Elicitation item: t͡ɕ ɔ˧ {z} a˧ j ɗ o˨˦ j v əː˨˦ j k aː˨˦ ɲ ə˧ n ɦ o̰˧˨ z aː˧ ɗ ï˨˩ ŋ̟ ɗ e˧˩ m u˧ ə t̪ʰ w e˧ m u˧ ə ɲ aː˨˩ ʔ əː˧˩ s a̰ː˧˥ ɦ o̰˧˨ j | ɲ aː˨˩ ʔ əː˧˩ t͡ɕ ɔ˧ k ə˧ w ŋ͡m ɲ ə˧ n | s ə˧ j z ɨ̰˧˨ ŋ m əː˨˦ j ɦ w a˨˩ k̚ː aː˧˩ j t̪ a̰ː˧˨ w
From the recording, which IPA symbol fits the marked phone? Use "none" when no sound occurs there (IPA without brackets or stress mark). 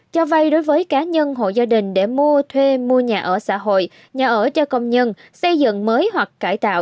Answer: v